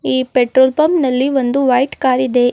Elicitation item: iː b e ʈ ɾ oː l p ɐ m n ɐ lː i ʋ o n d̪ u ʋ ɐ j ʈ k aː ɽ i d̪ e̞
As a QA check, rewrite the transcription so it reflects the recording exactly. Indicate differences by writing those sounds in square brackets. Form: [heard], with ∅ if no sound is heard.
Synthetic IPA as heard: iː [p] e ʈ ɾ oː l p ɐ m n ɐ lː i ʋ o n d̪ u ʋ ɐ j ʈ k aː [ɾ] i d̪ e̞